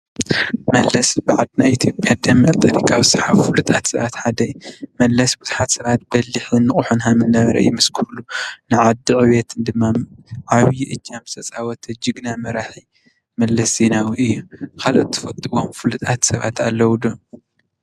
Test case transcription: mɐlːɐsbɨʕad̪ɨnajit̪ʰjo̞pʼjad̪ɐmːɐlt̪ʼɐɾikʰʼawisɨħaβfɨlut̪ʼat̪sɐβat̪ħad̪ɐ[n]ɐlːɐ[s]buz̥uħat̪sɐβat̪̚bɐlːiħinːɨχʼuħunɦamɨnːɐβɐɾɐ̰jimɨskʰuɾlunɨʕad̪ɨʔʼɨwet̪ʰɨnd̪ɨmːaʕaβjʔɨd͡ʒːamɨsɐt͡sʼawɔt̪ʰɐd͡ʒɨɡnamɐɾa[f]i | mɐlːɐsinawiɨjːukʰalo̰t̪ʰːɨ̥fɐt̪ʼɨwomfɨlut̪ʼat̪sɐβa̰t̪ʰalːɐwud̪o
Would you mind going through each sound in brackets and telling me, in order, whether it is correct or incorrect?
incorrect: m, correct, incorrect: ħ

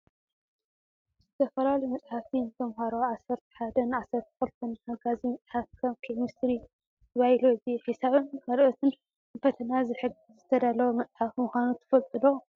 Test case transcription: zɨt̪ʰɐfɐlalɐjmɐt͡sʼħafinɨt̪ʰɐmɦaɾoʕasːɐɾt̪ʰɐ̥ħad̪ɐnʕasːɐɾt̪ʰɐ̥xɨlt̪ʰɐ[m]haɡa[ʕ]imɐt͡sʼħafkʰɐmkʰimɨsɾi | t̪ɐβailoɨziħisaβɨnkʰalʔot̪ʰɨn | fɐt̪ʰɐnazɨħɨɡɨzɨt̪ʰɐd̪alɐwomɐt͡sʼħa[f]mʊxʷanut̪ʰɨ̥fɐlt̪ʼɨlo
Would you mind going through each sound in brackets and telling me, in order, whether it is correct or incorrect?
incorrect: n, incorrect: z, correct

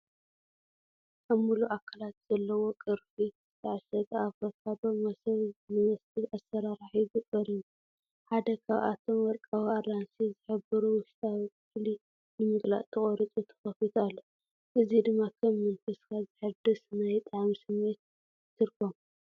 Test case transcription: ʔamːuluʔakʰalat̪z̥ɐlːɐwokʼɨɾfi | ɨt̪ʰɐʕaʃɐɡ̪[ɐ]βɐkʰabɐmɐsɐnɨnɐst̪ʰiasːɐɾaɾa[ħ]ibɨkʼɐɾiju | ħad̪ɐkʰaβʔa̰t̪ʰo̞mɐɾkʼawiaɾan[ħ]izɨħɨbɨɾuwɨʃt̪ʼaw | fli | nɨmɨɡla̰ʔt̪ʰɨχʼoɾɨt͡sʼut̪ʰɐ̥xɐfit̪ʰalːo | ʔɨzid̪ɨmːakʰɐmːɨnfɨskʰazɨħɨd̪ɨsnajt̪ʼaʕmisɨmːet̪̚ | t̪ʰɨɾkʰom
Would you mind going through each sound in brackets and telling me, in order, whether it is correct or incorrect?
incorrect: a, correct, incorrect: s

